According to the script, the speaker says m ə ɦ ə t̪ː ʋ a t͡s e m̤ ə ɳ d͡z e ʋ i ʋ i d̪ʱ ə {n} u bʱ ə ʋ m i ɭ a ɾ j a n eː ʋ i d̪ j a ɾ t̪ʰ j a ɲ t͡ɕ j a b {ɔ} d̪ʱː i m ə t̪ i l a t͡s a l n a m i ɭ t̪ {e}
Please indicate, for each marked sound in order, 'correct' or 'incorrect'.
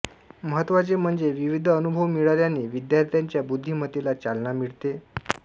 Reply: correct, incorrect, correct

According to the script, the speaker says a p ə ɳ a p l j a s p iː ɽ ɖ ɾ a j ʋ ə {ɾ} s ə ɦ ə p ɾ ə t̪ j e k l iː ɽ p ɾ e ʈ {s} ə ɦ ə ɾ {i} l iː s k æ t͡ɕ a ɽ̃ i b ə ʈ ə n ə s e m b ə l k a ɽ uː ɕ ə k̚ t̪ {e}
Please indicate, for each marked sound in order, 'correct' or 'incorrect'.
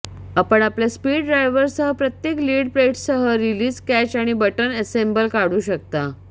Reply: correct, correct, correct, incorrect

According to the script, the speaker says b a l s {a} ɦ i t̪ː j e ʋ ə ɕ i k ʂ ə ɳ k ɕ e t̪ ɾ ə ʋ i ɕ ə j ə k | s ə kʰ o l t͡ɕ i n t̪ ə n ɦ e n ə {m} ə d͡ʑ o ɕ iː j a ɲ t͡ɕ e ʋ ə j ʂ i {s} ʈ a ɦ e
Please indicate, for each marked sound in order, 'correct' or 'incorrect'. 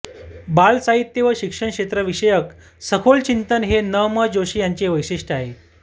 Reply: correct, correct, incorrect

